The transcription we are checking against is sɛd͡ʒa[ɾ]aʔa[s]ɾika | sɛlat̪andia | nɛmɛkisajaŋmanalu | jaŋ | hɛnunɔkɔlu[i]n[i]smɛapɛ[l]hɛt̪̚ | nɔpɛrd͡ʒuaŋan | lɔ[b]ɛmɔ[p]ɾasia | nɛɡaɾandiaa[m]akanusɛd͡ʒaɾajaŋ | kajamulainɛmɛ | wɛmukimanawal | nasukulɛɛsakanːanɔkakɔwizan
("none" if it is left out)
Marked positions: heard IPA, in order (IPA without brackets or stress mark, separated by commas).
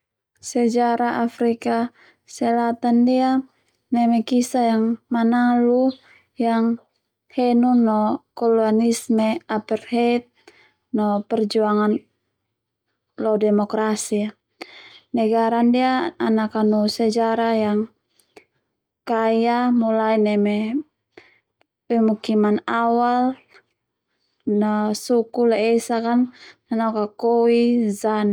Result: ɾ, f, a, i, r, d, k, n